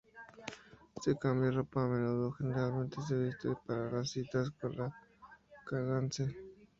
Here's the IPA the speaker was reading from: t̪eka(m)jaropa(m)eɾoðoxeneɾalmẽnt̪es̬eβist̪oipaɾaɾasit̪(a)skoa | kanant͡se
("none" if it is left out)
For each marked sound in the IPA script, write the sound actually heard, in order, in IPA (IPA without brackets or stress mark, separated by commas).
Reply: m, m, a